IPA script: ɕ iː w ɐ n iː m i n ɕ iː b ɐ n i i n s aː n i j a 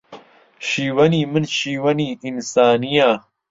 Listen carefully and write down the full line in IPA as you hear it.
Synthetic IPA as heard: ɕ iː w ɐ n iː m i n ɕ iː w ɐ n i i n s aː n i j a